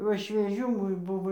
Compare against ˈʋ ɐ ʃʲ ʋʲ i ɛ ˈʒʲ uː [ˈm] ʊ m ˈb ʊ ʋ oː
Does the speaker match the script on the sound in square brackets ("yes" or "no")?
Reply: yes